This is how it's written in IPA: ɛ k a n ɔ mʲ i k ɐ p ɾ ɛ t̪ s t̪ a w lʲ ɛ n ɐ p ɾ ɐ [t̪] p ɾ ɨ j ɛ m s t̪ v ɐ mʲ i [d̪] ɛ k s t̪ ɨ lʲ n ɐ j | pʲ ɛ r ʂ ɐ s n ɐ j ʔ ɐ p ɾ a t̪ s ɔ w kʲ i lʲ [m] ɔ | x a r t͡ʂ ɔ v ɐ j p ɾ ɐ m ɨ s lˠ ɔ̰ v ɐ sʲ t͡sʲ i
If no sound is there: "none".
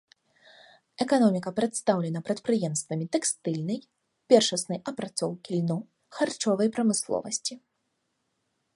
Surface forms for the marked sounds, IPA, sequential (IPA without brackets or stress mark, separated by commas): t̪, t̪, n